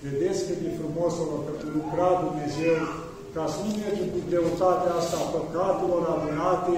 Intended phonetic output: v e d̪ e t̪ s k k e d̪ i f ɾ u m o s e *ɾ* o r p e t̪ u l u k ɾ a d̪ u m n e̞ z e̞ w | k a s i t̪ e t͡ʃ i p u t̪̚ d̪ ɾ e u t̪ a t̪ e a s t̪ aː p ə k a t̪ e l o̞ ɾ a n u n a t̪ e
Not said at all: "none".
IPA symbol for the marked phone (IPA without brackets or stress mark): l